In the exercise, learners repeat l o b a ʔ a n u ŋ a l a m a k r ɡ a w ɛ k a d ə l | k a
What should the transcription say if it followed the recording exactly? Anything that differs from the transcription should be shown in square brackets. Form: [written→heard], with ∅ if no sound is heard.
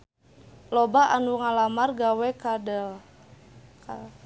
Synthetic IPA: l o b a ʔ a n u ŋ a l a m a [k→∅] r ɡ a w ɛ k a d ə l | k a